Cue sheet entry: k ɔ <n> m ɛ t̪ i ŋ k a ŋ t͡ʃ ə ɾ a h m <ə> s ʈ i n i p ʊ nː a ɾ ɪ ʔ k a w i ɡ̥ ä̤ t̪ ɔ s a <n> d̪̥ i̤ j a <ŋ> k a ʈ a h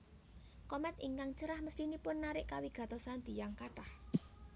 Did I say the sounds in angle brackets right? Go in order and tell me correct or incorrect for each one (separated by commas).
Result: incorrect, correct, correct, correct